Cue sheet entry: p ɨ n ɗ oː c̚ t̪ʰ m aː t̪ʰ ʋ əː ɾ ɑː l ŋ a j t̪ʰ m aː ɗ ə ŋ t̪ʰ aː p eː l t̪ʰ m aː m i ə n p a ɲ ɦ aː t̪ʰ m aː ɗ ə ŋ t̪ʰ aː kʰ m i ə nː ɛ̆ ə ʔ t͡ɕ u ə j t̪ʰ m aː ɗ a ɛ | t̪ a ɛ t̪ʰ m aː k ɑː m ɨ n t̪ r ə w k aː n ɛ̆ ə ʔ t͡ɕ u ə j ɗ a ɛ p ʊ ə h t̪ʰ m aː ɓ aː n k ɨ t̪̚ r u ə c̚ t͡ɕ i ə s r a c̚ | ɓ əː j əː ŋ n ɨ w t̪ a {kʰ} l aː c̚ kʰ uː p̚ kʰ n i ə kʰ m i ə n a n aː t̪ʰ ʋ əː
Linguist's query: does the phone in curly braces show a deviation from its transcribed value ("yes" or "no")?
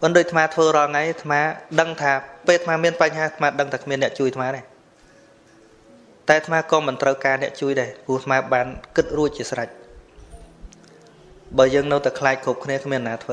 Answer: no